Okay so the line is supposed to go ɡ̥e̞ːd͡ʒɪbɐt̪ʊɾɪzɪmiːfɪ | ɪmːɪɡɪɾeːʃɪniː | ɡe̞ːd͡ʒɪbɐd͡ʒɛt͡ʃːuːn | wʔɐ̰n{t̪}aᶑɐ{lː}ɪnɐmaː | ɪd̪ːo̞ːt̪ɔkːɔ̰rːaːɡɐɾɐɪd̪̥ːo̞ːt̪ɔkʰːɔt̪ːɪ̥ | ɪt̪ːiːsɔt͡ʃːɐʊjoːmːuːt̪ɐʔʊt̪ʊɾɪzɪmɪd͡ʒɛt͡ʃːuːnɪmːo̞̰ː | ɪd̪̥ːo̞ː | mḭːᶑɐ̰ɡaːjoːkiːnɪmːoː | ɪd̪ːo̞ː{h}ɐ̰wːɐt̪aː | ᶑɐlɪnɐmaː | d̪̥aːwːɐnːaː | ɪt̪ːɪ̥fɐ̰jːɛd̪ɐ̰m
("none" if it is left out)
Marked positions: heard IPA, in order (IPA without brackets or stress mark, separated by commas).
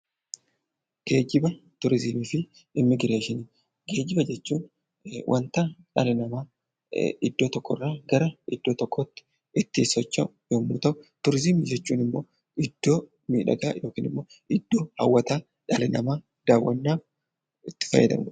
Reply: t̪, l, h